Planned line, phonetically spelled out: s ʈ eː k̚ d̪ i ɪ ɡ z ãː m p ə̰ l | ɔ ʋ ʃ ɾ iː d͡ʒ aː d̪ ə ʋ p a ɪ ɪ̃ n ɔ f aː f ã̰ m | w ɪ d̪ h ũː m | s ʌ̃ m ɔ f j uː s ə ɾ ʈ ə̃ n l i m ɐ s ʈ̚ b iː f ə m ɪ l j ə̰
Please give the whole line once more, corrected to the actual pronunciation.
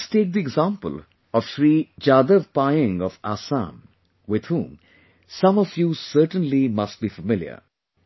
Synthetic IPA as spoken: s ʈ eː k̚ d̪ i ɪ ɡ z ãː m p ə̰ l | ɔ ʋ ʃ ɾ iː d͡ʒ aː d̪ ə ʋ p a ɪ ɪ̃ ŋ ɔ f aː s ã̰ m | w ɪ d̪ h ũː m | s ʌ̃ m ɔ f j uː s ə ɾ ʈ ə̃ n l i m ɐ s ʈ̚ b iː f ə m ɪ l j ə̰